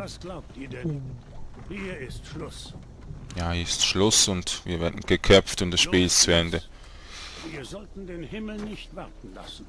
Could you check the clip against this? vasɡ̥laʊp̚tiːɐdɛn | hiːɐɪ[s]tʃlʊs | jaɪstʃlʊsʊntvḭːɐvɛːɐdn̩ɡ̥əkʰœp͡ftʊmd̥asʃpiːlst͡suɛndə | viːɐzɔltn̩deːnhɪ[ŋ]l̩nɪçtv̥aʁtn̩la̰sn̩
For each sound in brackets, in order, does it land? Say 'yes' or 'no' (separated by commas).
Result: yes, no